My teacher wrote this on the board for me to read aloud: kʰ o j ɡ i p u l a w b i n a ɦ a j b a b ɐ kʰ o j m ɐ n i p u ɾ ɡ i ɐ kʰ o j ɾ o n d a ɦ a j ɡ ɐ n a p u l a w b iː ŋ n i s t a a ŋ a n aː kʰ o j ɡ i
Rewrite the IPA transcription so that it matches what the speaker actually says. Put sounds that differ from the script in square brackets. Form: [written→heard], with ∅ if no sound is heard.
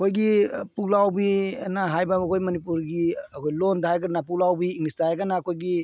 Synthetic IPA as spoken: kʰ o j ɡ i p u l a w b i n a ɦ a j b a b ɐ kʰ o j m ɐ n i p u ɾ ɡ i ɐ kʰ o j [ɾ→l] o n d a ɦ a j ɡ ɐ n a p u l a w b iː ŋ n i s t a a [ŋ→ɡ] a n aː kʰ o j ɡ i

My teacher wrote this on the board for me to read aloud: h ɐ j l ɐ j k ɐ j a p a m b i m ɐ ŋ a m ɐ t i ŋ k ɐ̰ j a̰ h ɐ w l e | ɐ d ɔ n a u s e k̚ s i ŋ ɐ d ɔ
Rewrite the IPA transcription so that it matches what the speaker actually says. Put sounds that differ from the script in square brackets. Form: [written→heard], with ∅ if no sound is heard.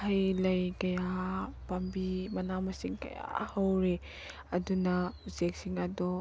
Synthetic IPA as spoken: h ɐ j l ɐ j k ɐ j a p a m b i m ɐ [ŋ→n] a m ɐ [t→s] i ŋ k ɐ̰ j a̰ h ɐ w [l→ɾ] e | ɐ d [ɔ→u] n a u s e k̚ s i ŋ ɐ d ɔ

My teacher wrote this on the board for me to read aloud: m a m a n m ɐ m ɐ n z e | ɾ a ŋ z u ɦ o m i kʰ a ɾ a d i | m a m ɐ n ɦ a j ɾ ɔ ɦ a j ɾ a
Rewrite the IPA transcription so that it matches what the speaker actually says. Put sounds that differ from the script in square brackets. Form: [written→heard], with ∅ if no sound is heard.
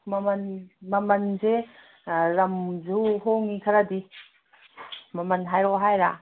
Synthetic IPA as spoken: m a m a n m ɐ m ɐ n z e | ɾ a [ŋ→m] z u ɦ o [m→ŋ] i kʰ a ɾ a d i | m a m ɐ n ɦ a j ɾ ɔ ɦ a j ɾ a

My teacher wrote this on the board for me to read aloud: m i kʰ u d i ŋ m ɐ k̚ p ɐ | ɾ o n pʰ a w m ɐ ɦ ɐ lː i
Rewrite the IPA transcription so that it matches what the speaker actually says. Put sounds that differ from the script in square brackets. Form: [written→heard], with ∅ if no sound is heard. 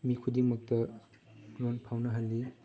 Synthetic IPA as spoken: m i kʰ u d i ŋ m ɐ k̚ [p→t] ɐ | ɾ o n pʰ a w [m→n] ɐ ɦ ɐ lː i

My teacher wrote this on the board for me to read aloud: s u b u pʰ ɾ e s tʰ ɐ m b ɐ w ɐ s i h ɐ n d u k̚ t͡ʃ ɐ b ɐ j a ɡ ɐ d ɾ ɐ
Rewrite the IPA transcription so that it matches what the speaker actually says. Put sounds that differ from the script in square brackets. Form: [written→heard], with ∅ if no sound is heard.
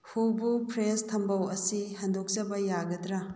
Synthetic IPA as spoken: [s→h] u b u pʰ ɾ e s tʰ ɐ m b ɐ w ɐ s i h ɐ n d [u→o] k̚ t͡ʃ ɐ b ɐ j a ɡ ɐ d ɾ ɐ

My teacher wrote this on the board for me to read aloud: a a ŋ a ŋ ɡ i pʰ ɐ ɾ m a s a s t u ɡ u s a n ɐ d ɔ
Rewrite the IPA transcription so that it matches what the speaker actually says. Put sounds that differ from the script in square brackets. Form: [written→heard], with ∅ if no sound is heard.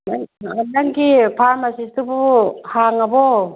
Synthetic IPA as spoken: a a [ŋ→n] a ŋ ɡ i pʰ [ɐ→a] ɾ m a s [a→i] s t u [ɡ→b] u [s→h] a [n→ŋ] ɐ [d→b] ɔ

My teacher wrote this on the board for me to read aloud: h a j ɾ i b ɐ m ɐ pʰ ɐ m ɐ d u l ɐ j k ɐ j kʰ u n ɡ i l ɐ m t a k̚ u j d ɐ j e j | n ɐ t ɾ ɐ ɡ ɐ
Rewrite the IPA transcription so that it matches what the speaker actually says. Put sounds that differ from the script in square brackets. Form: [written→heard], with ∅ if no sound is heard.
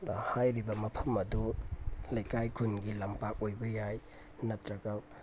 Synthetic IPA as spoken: h a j ɾ i b ɐ m ɐ pʰ ɐ m ɐ d u l ɐ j k [ɐ→a] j kʰ u n ɡ i l ɐ m [t→p] a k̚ [u→o] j [d→b] ɐ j [e→a] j | n ɐ t ɾ ɐ ɡ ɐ

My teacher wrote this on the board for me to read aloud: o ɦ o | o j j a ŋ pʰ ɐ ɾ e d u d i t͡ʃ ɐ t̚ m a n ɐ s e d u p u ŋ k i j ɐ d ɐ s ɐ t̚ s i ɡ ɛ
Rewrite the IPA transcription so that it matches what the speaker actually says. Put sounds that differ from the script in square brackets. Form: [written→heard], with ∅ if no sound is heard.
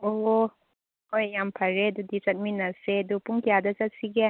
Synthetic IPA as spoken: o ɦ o | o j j a [ŋ→m] pʰ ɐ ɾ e d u d i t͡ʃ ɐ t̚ m [a→i] n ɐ s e d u p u ŋ k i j [ɐ→a] d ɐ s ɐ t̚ s i ɡ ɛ

